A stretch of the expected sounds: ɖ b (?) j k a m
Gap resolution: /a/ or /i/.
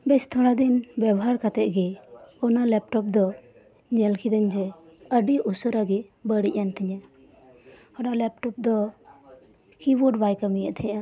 a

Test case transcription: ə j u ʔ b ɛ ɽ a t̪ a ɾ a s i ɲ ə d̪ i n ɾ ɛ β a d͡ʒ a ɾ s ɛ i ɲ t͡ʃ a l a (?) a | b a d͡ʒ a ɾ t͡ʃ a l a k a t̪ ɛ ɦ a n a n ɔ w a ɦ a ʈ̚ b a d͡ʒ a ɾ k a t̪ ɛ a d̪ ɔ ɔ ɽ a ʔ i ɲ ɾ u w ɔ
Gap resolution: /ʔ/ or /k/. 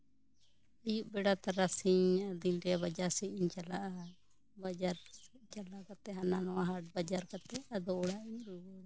ʔ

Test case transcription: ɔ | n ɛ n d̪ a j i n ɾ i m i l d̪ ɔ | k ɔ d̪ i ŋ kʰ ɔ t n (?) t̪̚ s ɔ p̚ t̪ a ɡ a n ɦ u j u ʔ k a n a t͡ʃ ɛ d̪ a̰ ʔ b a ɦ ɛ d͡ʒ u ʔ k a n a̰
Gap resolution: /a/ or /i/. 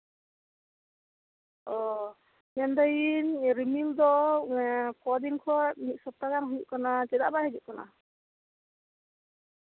i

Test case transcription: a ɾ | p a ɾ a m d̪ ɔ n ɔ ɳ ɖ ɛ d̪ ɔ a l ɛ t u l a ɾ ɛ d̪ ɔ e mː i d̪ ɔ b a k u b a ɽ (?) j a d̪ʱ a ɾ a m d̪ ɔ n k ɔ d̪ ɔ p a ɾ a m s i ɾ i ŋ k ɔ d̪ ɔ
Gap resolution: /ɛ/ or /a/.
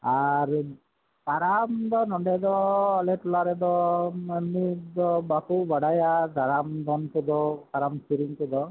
a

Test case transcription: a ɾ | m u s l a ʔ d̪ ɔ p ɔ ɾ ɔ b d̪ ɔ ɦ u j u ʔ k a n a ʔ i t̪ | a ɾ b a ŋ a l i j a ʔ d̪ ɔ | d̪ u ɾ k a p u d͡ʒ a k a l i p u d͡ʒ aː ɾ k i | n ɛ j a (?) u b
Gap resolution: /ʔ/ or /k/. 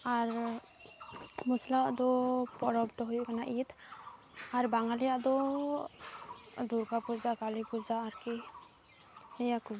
k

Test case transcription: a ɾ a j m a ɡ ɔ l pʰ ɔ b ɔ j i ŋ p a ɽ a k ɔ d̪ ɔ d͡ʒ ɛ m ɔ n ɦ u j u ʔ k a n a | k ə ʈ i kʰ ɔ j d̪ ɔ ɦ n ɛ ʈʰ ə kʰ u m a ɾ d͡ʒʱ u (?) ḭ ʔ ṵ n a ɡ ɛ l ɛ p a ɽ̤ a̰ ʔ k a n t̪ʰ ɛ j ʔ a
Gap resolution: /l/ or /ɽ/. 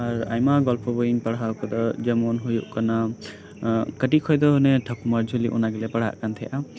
l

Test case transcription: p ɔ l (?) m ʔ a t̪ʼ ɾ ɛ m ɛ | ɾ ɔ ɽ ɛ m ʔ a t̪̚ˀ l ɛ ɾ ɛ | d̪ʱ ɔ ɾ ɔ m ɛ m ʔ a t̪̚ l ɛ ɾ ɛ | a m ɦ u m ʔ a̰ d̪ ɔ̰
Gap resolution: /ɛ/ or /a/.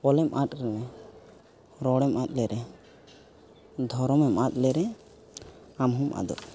ɛ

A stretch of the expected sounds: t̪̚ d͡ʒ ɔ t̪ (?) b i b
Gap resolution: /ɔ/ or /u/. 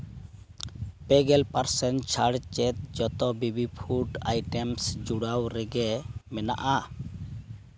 ɔ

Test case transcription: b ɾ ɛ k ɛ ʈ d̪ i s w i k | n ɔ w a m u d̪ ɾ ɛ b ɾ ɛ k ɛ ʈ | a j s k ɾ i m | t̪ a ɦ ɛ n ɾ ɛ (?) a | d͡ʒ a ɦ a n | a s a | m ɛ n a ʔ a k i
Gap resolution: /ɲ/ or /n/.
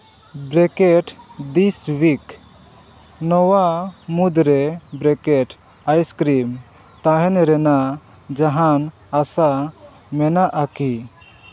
n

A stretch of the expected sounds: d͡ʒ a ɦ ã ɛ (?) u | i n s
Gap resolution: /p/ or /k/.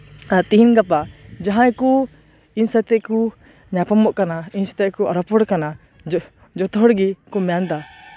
k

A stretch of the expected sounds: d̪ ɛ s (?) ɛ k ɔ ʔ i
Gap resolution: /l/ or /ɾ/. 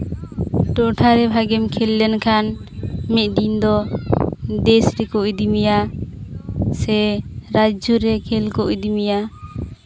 ɾ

